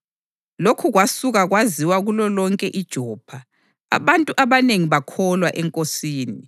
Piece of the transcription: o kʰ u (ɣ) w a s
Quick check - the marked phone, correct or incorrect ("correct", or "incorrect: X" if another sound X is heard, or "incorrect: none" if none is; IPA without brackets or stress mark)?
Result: correct